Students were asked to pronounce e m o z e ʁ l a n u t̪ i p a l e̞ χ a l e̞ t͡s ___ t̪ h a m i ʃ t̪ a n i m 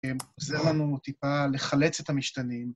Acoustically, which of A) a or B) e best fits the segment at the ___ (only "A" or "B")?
B